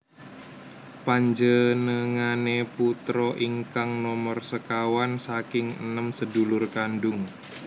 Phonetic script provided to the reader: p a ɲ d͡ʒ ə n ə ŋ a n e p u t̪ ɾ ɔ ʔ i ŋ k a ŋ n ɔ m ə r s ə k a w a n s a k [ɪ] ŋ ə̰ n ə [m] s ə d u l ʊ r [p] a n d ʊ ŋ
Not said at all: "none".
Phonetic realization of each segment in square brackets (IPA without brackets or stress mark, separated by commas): ɪ, m, k